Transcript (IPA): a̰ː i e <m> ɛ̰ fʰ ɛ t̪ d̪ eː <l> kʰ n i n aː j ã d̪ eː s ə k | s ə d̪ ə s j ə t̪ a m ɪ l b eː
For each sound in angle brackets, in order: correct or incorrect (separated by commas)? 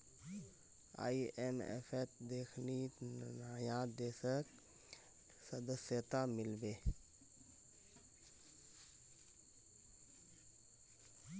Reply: correct, incorrect